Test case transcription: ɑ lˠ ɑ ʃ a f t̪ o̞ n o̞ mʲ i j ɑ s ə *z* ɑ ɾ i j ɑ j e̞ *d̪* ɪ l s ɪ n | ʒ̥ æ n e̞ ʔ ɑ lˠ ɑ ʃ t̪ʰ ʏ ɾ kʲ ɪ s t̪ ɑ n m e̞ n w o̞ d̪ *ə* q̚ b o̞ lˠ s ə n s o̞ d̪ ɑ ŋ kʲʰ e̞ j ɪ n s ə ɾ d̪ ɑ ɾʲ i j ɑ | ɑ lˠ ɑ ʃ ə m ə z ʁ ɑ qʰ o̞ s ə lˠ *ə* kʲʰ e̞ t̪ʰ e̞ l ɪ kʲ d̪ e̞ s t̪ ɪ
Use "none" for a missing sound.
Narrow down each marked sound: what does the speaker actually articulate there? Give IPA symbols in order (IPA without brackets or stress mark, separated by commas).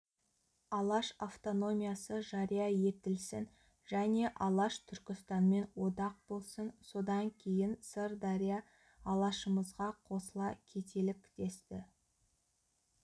ʒ, t̪, ɑ, ɑ